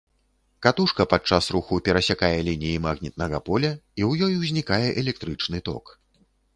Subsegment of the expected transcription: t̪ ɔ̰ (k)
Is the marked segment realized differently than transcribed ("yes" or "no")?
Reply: no